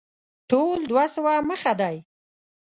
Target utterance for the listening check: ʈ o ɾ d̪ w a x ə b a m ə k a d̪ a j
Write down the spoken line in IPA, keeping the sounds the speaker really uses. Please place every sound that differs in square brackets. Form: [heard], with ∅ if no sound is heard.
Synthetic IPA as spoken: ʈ o [l] d̪ w a [s] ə [w] a m ə [x] a d̪ a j